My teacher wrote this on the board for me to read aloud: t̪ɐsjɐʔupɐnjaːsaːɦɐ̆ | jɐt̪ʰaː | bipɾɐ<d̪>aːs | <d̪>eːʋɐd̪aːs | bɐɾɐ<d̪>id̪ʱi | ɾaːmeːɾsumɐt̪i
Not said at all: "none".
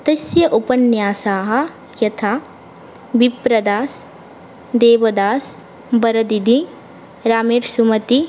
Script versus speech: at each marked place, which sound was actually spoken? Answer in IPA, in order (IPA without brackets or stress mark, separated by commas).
d̪, d̪, d̪